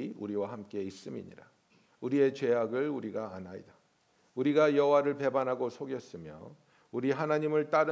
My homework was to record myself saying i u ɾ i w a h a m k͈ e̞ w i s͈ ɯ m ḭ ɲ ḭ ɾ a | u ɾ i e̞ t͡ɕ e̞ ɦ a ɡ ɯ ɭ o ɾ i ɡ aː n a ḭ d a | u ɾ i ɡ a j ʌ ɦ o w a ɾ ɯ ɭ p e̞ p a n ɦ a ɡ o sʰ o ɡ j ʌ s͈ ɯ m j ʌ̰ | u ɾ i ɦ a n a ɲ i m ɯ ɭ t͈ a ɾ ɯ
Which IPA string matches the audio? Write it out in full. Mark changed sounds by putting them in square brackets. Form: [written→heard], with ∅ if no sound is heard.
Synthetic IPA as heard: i u ɾ i w a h a m k͈ e̞ [w→∅] i s͈ ɯ m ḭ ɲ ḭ ɾ a | u ɾ i e̞ t͡ɕ e̞ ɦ a ɡ ɯ ɭ [o→u] ɾ i ɡ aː n a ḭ d a | u ɾ i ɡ a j ʌ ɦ o w a ɾ ɯ ɭ p e̞ [p→b] a n ɦ a ɡ o sʰ o ɡ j ʌ s͈ ɯ m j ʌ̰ | u ɾ i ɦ a n a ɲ i m ɯ ɭ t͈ a ɾ ɯ